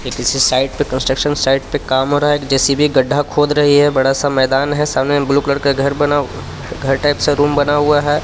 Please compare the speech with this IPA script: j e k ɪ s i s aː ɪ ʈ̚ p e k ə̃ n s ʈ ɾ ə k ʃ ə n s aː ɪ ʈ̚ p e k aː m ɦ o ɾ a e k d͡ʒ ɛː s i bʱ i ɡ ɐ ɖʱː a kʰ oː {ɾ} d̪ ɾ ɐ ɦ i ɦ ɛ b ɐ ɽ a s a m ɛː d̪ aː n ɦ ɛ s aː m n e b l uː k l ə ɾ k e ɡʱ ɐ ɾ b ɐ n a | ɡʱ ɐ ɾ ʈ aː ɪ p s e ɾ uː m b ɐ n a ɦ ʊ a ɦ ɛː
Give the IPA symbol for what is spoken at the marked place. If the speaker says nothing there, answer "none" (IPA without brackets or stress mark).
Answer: none